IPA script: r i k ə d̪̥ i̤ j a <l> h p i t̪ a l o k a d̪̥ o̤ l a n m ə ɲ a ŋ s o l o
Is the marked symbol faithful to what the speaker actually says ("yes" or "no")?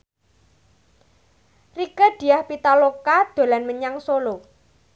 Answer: no